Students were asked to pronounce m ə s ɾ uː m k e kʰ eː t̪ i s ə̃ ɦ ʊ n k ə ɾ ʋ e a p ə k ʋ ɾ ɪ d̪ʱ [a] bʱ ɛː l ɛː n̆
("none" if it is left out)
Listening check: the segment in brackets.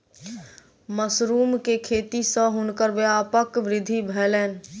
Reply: i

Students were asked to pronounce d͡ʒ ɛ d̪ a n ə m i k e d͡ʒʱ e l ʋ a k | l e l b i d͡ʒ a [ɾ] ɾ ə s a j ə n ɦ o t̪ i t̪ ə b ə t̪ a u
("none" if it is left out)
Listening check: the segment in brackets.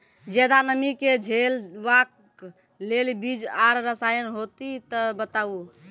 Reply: ɾ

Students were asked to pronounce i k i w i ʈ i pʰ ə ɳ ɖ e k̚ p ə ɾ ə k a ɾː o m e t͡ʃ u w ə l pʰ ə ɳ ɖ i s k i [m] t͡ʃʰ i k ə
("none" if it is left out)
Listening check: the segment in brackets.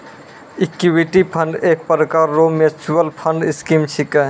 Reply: m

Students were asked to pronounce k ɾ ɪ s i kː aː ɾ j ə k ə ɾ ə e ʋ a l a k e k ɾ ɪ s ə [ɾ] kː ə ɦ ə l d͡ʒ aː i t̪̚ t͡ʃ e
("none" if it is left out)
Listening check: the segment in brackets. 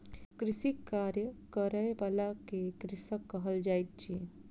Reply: none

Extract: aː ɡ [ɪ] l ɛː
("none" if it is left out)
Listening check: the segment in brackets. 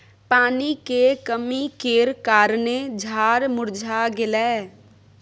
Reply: ɪ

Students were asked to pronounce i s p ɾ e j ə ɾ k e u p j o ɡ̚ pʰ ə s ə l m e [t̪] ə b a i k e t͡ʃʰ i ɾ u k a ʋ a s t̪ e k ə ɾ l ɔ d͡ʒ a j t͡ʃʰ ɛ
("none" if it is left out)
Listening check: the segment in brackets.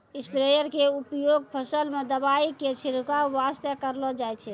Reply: d̪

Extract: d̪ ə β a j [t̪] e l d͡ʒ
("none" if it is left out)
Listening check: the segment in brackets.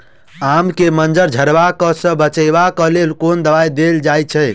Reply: d̪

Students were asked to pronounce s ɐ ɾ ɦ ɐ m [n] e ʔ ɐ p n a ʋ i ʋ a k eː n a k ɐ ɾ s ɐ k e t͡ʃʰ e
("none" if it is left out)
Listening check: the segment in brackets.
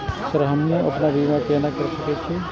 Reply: n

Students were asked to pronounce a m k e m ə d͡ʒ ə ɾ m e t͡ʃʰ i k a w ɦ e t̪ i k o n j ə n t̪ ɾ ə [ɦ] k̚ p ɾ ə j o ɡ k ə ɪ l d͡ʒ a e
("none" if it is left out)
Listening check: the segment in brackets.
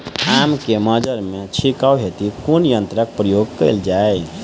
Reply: none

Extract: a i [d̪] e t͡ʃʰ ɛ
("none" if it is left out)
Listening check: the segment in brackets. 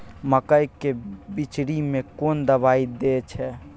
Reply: d̪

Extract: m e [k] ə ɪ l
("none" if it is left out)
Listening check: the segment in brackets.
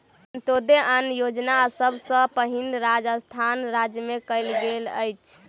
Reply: k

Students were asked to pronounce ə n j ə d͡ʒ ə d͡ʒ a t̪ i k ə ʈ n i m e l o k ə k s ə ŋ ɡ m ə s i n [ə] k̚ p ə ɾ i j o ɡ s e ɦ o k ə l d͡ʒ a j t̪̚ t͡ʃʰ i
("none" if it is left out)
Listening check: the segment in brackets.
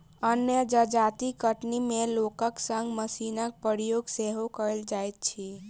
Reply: ə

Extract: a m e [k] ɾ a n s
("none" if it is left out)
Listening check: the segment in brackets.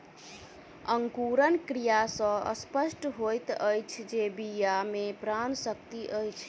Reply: p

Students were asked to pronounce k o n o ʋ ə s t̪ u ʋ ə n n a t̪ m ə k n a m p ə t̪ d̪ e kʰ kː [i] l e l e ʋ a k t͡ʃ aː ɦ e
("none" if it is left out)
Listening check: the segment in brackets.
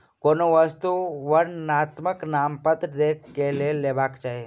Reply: e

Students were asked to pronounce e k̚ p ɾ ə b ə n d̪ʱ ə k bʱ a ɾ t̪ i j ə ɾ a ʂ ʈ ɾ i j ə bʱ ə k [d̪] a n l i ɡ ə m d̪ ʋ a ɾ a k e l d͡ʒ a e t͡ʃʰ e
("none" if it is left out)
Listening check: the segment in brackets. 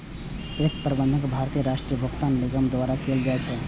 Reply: t̪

